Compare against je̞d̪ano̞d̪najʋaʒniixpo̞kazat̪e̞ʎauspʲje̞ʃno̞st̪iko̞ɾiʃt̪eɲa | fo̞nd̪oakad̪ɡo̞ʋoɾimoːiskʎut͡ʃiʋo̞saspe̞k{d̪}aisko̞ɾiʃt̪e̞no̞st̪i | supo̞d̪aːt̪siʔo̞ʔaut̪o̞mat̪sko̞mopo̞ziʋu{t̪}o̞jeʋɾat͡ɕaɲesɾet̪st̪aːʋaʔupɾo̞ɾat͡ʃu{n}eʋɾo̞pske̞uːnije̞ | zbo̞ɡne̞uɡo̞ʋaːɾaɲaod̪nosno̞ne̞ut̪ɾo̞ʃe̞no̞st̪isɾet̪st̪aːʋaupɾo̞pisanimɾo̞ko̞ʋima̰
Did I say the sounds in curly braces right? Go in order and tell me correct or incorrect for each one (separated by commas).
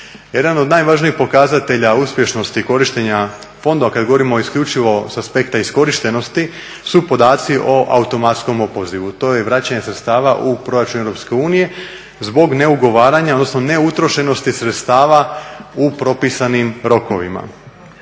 incorrect, correct, correct